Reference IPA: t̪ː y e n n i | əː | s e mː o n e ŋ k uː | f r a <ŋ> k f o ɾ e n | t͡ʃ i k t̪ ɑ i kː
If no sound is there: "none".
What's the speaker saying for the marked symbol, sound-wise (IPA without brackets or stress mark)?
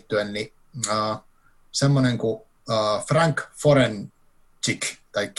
ŋ